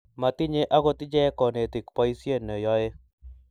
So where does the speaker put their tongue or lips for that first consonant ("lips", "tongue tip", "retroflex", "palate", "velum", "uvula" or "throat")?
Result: lips